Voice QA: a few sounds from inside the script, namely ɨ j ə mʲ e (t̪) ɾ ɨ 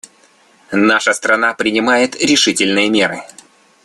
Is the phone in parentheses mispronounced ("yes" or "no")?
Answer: yes